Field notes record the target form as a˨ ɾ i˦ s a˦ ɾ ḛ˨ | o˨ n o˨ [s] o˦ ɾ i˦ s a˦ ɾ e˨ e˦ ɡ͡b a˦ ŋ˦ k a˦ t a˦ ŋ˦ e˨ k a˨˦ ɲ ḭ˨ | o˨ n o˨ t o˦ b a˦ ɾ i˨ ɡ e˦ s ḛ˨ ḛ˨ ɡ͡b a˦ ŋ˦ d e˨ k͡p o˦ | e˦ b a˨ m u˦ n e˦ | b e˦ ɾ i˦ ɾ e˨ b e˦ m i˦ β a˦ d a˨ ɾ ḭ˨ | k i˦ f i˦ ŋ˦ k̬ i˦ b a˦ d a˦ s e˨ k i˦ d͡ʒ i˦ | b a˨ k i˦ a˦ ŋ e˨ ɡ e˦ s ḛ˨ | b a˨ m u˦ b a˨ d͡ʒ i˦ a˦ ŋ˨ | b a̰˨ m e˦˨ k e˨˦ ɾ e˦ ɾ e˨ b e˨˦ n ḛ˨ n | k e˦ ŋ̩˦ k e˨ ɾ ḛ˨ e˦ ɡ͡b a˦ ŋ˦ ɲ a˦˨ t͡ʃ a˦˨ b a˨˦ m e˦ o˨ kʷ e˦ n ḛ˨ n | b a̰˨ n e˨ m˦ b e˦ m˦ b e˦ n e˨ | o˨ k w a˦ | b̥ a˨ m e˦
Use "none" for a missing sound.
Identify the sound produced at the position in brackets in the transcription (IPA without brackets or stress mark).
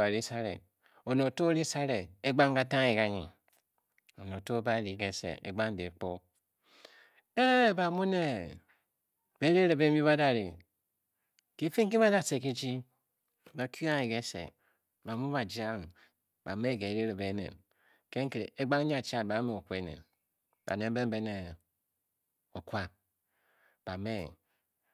t